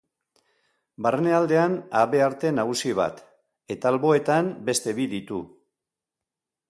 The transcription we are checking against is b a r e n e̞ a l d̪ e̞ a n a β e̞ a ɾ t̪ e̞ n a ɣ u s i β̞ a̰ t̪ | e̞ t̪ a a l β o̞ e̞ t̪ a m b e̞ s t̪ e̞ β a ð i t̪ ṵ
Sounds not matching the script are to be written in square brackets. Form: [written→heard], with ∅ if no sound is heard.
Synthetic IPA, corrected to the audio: b a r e n e̞ a l d̪ e̞ a n a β e̞ a ɾ t̪ e̞ n a ɣ u s i β̞ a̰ t̪ | e̞ t̪ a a l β o̞ e̞ t̪ a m b e̞ s t̪ e̞ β [a→i] ð i t̪ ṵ